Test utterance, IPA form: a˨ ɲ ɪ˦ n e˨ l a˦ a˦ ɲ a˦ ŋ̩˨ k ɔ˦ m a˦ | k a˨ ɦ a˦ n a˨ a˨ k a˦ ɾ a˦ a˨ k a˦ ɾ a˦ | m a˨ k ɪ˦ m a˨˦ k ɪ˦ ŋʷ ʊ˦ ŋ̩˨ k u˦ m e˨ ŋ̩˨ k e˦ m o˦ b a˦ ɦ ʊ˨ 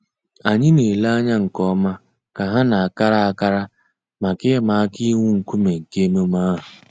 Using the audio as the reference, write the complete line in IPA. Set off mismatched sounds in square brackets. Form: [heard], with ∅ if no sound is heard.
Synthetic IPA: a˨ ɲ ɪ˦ n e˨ l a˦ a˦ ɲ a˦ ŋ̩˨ k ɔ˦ m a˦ | k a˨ ɦ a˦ n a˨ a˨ k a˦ ɾ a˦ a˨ k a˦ ɾ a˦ | m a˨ k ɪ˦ m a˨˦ k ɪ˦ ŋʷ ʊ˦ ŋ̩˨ k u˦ m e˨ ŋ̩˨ k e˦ m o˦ [m] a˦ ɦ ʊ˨